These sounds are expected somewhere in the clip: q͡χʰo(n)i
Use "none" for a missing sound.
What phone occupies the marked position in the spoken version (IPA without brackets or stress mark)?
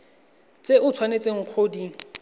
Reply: d